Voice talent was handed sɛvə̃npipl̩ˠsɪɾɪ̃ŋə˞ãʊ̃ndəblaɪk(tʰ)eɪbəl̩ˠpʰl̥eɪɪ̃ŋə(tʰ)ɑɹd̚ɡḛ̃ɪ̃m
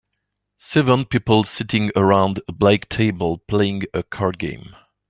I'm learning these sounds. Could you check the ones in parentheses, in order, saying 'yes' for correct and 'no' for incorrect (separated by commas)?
yes, no